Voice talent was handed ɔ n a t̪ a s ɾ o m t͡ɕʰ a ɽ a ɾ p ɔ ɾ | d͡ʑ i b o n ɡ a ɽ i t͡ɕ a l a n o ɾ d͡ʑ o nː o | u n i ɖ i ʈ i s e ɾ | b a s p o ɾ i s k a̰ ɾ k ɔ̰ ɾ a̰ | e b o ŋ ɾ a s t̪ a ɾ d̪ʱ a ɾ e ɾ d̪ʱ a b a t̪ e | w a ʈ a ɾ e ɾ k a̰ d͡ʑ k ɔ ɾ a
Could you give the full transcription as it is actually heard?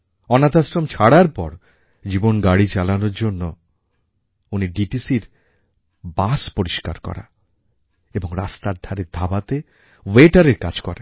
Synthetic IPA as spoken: ɔ n a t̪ a s ɾ o m t͡ɕʰ a ɽ a ɾ p ɔ ɾ | d͡ʑ i b o n ɡ a ɽ i t͡ɕ a l a n o ɾ d͡ʑ o nː o | u n i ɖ i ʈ i s i ɾ | b a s p o ɾ i ʃ k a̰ ɾ k ɔ̰ ɾ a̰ | e b o ŋ ɾ a s t̪ a ɾ d̪ʱ a ɾ e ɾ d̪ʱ a b a t̪ e | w e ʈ a ɾ e ɾ k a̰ d͡ʑ k ɔ ɾ a